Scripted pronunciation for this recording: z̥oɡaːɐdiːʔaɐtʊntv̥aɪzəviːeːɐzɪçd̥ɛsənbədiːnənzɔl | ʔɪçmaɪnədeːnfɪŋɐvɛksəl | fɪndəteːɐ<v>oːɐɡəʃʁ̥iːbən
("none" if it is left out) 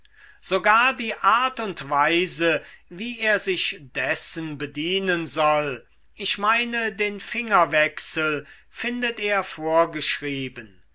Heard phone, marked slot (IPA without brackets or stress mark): f